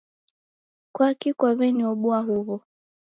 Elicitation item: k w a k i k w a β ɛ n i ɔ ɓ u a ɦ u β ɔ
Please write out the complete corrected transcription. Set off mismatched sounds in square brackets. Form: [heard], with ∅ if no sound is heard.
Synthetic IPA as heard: k w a k i k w a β ɛ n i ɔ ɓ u a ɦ u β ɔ